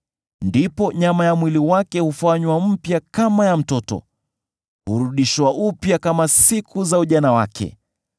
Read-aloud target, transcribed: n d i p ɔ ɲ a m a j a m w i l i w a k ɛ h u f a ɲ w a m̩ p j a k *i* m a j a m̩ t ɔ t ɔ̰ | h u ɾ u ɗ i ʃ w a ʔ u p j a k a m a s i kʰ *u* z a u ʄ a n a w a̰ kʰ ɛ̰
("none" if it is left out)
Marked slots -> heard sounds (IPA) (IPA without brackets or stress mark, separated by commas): a, u